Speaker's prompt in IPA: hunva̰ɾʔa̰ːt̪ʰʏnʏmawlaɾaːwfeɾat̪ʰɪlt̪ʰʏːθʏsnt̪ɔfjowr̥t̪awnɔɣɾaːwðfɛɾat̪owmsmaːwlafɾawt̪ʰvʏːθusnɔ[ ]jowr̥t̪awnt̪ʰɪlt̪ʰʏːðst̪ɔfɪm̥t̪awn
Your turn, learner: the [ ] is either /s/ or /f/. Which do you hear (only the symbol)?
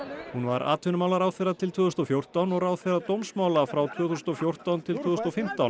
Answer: f